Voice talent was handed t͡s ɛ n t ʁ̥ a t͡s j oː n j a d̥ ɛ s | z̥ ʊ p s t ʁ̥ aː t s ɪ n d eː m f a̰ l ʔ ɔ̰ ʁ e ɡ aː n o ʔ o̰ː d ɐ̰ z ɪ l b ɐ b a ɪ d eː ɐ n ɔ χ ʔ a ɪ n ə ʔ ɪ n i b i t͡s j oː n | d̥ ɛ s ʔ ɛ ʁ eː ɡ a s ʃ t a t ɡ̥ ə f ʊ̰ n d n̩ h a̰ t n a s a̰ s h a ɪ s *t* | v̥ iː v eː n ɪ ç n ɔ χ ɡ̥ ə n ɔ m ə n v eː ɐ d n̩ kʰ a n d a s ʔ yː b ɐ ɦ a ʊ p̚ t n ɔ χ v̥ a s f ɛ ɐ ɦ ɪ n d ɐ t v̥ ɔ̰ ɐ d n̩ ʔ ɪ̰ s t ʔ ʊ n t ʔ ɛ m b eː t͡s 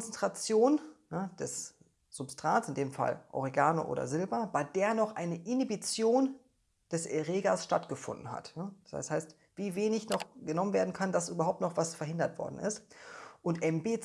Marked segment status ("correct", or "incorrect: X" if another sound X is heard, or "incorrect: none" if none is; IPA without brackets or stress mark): correct